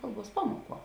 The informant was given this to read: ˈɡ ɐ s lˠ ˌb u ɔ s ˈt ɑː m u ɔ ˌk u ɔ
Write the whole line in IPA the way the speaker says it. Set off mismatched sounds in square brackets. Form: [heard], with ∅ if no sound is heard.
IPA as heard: [ˈk] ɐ [∅] lˠ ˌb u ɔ s [ˈp] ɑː m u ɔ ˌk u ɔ